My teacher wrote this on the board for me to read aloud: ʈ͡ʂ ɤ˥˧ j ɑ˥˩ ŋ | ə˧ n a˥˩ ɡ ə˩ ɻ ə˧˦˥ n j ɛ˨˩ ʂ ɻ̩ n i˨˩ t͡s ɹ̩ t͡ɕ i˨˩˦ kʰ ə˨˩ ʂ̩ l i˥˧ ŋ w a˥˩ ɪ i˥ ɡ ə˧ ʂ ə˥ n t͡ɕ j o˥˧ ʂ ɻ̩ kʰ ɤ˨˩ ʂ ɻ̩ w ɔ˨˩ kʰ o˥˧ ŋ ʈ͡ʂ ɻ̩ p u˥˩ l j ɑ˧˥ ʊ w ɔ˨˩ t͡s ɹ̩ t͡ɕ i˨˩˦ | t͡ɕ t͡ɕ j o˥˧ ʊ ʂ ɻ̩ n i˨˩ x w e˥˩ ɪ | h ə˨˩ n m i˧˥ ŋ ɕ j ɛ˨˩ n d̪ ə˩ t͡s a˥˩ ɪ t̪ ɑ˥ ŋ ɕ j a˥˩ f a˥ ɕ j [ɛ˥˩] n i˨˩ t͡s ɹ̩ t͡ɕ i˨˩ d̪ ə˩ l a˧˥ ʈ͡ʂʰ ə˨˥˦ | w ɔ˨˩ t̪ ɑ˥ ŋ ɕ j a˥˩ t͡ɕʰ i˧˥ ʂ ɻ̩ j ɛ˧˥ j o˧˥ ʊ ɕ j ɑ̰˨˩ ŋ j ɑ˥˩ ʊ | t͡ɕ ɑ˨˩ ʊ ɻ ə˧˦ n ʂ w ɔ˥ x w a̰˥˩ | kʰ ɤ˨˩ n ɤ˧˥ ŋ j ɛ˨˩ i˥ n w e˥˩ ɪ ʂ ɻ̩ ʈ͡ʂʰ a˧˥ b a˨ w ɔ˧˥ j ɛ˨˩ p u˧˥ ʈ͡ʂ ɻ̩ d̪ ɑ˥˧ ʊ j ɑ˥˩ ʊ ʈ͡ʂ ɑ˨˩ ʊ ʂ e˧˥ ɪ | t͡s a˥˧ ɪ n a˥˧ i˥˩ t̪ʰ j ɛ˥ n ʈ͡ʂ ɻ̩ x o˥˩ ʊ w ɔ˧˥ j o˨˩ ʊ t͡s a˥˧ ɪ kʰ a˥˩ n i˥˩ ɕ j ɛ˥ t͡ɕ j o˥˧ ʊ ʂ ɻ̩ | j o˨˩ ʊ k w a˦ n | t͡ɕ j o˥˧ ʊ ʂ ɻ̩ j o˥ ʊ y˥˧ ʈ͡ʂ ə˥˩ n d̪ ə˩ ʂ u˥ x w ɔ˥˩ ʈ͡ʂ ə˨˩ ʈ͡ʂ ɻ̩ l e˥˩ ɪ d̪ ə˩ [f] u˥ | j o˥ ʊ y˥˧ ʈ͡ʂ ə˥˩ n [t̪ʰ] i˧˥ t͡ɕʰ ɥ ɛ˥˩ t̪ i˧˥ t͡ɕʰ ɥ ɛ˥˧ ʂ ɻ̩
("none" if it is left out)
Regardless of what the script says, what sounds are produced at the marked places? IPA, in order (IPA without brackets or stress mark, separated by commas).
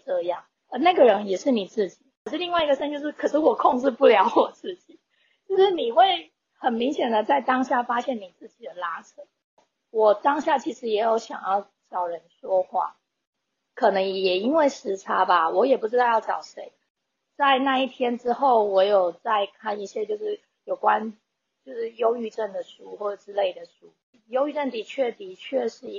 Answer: ɛ˥˩, ʂ, t̪